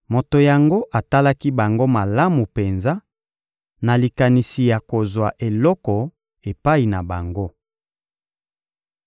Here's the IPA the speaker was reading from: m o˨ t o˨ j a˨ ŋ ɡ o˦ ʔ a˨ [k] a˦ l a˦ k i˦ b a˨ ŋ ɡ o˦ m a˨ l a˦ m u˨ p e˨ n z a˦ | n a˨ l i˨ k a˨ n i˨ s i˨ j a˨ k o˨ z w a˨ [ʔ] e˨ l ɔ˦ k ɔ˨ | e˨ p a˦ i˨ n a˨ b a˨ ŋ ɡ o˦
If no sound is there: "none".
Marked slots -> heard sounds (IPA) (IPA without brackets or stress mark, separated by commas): t, ʔ